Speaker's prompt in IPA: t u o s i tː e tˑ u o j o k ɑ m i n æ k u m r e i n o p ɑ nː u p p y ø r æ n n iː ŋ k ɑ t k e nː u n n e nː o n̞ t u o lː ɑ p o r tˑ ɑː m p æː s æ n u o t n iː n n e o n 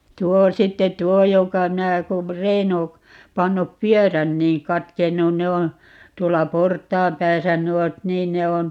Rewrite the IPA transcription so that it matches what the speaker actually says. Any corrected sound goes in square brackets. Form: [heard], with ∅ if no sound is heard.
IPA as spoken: t u o s i tː e tˑ u o j o k ɑ m i n æ k u m r e i n o p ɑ nː u p p y ø r æ n n iː ŋ k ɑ t k e nː u n n e [∅] o n̞ t u o lː ɑ p o r tˑ ɑː m p æː s æ n u o t n iː n n e o n